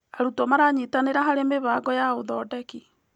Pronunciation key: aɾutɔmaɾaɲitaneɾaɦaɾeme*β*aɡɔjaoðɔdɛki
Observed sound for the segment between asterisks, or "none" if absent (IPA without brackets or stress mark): β